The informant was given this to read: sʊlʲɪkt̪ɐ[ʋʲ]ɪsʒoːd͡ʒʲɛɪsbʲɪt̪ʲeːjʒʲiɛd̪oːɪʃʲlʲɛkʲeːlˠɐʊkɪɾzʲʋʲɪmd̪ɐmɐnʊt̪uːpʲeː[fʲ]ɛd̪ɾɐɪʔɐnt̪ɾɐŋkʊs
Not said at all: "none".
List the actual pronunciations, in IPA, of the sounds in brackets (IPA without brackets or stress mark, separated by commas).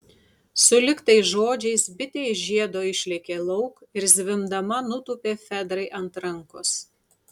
none, fʲ